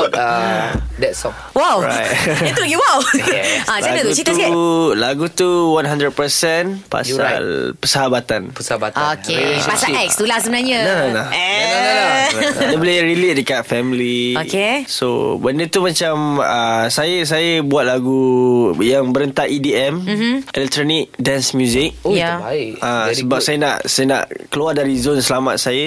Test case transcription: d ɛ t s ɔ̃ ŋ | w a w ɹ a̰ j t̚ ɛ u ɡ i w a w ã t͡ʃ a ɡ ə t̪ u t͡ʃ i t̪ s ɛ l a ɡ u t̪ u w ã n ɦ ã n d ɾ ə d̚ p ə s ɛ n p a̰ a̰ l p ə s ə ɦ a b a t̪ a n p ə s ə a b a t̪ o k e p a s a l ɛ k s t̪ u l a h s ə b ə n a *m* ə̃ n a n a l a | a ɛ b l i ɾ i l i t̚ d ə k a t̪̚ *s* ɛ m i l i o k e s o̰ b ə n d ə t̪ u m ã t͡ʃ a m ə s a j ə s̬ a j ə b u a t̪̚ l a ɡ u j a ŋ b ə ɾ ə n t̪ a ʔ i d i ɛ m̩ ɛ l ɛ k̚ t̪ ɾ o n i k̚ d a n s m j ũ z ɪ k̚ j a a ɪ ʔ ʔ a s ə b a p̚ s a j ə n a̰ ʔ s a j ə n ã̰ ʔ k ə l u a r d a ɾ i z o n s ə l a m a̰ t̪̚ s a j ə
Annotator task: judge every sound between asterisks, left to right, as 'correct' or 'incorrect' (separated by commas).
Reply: incorrect, incorrect